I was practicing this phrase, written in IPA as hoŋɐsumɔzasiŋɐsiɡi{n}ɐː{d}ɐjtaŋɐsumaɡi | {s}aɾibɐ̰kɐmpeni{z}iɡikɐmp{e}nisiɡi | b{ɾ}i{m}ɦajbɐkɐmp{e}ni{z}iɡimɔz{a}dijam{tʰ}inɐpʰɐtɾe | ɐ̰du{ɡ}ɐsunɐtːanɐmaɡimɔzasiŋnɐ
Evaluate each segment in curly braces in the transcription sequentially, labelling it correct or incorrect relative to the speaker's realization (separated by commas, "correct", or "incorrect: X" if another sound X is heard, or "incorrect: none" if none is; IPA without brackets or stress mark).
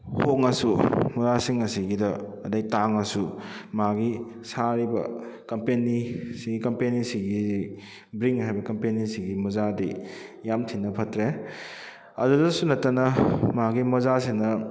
incorrect: d, correct, correct, incorrect: s, correct, correct, incorrect: ŋ, correct, incorrect: s, correct, correct, incorrect: d